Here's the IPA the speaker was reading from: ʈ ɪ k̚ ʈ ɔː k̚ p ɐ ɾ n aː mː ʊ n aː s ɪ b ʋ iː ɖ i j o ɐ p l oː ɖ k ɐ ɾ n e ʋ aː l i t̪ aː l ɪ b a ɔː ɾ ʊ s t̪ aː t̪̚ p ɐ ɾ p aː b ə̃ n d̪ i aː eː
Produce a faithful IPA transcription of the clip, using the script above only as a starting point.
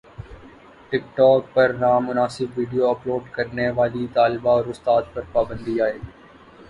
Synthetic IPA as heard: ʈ ɪ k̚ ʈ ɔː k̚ p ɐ ɾ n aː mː ʊ n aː s ɪ b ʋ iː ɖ i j o ɐ p l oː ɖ k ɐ ɾ n e ʋ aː l i t̪ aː l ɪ b a ɔː ɾ ʊ s t̪ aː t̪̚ p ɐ ɾ p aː b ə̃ n d̪ i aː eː